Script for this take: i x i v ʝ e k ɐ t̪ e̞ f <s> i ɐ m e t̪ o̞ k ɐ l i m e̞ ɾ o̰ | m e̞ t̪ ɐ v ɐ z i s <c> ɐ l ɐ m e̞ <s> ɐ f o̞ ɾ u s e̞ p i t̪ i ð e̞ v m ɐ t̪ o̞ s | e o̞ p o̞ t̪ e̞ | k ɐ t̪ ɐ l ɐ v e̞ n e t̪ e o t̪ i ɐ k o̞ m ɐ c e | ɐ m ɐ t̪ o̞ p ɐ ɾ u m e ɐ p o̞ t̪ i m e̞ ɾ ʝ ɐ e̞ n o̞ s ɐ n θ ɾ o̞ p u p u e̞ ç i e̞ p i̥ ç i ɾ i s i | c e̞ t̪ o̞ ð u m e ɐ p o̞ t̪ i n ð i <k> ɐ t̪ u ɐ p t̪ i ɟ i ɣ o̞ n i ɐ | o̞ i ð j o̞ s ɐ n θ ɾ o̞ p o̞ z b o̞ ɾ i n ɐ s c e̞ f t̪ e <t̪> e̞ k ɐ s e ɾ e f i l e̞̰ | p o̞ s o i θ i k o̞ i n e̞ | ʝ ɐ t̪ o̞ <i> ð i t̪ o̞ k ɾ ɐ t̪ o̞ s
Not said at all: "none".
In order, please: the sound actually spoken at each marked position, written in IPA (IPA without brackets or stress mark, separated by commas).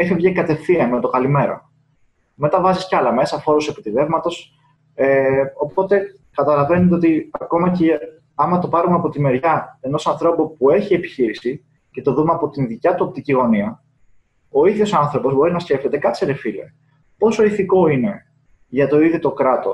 θ, c, s, c, t̪, i